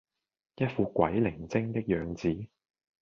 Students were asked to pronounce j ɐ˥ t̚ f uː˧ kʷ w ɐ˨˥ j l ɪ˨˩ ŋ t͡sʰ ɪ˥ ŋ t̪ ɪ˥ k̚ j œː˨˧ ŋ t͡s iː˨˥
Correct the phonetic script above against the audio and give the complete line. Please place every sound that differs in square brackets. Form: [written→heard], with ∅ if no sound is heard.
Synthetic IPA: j ɐ˥ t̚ f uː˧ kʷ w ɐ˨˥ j l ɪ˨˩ ŋ [t͡sʰ→t͡s] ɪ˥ ŋ t̪ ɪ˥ k̚ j œː˨˧ ŋ t͡s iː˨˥